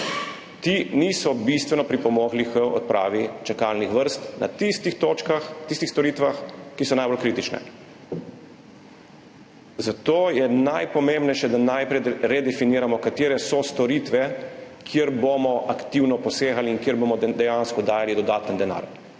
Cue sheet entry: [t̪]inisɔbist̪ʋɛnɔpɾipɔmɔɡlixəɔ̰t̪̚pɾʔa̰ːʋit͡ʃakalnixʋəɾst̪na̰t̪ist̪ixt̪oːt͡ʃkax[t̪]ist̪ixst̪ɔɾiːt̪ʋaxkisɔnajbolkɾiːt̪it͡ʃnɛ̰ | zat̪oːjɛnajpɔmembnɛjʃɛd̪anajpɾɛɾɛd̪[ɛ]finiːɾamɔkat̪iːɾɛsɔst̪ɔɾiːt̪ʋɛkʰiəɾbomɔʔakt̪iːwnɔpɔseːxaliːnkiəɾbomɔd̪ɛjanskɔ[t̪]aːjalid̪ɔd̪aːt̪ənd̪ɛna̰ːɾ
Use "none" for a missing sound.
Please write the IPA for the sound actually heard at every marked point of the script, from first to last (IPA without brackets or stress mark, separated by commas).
t̪, t̪, ɛ, d̪